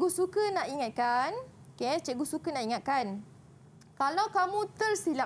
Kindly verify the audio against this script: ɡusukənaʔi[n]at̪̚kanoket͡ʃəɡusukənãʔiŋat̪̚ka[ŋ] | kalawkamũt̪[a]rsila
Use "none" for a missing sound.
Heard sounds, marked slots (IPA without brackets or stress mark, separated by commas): ŋ, n, ə